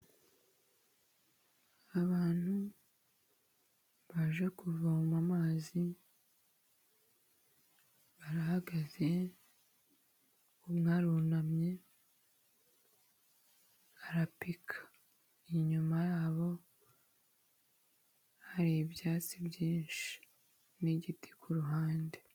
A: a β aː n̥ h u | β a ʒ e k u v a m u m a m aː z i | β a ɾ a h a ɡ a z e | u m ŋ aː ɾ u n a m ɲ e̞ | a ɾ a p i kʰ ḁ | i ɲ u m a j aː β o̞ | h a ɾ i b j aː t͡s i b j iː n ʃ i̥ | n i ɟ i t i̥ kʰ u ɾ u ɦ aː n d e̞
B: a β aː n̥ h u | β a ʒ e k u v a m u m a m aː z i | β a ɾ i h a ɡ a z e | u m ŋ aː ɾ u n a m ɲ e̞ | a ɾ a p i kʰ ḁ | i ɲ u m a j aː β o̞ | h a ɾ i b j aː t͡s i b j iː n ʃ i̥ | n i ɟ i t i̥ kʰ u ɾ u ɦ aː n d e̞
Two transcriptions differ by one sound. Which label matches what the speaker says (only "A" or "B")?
A